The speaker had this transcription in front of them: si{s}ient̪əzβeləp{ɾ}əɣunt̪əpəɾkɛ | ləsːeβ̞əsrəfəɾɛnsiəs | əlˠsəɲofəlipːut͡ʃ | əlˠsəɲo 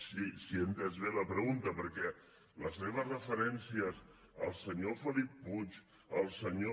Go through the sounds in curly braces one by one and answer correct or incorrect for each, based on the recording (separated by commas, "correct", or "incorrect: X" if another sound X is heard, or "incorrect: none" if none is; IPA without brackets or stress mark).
correct, correct